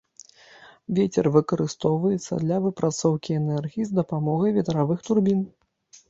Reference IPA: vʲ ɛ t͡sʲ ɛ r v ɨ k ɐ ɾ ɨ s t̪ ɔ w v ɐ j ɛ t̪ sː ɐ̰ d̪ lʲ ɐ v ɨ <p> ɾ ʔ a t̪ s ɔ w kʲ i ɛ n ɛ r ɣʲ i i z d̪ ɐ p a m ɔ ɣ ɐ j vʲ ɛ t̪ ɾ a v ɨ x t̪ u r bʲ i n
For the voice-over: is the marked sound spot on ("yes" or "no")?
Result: yes